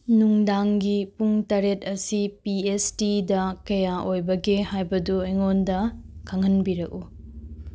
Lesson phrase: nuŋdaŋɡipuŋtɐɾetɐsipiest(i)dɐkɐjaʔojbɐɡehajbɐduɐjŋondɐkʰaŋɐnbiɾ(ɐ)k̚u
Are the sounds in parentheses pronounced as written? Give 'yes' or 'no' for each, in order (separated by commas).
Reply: yes, yes